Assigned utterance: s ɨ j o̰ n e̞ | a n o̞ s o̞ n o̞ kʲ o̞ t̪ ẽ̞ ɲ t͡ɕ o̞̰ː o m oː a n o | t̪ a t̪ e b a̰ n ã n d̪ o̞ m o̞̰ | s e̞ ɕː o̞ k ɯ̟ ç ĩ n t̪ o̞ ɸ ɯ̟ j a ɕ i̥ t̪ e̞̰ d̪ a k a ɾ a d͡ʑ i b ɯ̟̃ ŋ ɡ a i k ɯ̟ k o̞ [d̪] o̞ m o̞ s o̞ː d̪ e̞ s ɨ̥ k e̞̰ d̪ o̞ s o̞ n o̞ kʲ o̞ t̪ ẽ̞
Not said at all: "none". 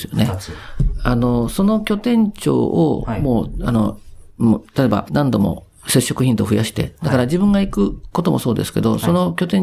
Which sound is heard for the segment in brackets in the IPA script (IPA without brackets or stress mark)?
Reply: t̪